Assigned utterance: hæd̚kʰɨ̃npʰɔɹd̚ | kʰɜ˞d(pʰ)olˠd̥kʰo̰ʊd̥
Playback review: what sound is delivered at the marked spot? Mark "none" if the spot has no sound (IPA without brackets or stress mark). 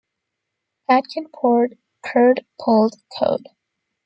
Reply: pʰ